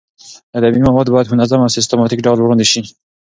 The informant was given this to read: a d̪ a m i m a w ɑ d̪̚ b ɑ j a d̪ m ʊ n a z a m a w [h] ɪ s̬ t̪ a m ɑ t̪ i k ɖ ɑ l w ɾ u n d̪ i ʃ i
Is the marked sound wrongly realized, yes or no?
yes